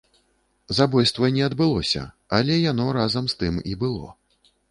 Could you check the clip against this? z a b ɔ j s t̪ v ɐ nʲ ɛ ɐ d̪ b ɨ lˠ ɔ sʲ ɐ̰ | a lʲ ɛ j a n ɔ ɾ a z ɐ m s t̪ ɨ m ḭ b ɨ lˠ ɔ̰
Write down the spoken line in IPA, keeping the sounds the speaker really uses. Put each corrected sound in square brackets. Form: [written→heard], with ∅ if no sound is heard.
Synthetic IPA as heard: z a b ɔ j s t̪ v ɐ nʲ ɛ ɐ d̪ b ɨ lˠ ɔ sʲ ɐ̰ | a lʲ ɛ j a n ɔ ɾ a z ɐ m s t̪ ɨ m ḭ b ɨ lˠ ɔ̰